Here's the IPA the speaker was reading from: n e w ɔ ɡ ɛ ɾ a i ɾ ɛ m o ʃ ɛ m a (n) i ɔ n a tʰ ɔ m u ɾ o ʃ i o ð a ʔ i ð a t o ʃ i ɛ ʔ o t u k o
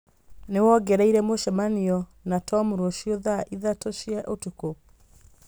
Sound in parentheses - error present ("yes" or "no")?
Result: no